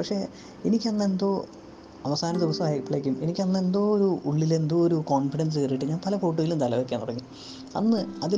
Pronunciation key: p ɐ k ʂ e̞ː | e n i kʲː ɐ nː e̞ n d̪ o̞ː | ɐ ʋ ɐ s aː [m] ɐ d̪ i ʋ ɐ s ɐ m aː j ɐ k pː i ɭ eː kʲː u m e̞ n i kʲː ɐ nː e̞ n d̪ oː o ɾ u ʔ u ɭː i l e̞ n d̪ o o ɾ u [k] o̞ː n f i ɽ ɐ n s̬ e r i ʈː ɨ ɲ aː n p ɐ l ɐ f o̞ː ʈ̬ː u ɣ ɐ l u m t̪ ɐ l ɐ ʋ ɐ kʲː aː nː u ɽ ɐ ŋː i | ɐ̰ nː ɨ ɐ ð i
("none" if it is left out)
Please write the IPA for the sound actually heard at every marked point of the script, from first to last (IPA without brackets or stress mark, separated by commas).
n, k